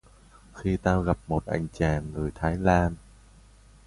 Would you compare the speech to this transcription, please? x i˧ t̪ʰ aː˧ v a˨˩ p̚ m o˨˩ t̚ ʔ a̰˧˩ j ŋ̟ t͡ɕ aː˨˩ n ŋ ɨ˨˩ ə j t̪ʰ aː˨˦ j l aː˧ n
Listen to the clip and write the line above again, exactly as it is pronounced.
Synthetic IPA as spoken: x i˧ t̪ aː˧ ɣ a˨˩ p̚ m o˨˩ t̚ ʔ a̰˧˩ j ŋ̟ t͡ɕ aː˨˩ n ŋ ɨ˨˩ ə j t̪ʰ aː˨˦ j l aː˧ n